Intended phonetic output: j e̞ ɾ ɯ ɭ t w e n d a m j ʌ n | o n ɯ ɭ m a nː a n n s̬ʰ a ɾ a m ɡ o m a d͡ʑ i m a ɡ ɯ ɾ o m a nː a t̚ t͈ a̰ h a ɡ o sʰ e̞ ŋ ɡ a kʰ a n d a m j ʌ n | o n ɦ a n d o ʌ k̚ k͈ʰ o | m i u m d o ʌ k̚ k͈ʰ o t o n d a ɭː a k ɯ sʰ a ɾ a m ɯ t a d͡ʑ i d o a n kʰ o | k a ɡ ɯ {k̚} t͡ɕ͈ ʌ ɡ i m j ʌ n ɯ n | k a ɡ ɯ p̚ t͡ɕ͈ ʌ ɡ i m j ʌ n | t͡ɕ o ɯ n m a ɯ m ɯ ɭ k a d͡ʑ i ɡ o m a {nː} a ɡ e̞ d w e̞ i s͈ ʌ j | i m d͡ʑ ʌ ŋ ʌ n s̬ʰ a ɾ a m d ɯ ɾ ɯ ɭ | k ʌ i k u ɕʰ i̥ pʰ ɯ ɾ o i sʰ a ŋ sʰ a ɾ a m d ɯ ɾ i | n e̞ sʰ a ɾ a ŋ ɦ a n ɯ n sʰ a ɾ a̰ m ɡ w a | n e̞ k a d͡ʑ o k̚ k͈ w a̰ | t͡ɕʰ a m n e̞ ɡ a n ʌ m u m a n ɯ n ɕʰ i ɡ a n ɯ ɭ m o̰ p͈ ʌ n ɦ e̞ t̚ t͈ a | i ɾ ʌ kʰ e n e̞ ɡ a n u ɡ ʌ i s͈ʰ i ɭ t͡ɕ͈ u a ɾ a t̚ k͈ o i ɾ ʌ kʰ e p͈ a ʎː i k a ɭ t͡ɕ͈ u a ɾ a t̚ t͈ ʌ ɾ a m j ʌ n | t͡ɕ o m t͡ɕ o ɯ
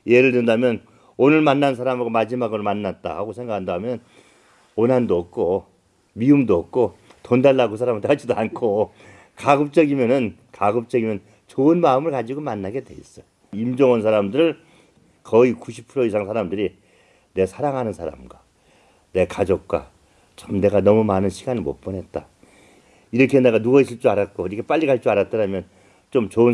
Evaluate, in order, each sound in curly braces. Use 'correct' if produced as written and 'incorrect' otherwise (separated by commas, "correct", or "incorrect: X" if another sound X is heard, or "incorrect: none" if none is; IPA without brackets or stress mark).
incorrect: p̚, correct